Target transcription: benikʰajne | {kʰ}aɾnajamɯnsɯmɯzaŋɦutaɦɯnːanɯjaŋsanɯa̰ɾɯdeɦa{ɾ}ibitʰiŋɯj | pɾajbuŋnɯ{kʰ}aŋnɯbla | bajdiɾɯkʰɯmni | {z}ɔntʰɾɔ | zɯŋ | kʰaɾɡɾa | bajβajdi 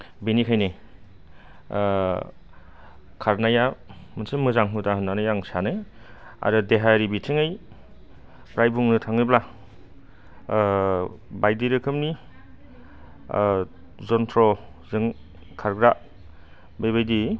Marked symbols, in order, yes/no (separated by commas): yes, yes, no, yes